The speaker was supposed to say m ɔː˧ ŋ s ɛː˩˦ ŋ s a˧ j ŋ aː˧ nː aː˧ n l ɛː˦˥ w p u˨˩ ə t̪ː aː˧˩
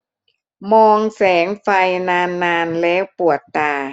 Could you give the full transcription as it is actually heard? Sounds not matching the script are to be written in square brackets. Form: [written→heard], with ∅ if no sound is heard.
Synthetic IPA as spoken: m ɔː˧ ŋ s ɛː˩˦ ŋ [s→f] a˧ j [ŋ→n] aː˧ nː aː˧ n l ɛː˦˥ w p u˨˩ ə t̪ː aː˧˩